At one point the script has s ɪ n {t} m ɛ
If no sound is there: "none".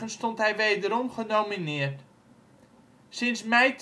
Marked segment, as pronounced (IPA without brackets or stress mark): s